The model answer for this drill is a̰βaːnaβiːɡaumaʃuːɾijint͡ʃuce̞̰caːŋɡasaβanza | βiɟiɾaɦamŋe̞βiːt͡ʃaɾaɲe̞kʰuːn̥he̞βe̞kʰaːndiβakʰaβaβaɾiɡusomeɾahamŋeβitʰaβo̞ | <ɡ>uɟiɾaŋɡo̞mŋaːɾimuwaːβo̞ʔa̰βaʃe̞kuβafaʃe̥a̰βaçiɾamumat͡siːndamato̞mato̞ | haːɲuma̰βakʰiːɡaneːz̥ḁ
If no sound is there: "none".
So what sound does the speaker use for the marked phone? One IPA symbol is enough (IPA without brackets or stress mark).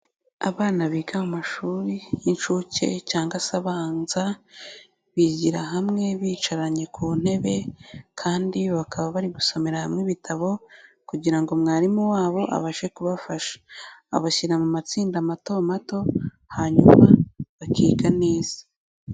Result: k